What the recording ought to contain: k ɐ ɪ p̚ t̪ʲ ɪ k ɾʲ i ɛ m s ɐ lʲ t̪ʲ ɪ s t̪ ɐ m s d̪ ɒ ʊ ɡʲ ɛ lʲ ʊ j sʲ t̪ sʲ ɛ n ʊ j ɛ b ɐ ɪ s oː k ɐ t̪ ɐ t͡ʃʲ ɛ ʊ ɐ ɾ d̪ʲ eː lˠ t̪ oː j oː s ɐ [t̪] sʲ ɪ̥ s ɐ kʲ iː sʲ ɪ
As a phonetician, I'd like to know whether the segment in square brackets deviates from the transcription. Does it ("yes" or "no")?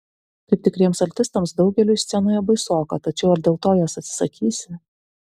no